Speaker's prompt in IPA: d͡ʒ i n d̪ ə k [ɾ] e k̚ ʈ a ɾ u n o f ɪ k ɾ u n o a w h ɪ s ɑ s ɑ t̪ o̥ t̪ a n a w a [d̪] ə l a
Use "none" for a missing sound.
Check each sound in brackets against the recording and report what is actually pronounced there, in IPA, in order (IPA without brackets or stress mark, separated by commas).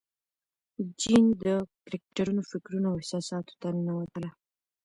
ɾ, t̪